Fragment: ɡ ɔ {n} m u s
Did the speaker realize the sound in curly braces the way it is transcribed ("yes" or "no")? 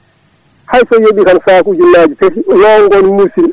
yes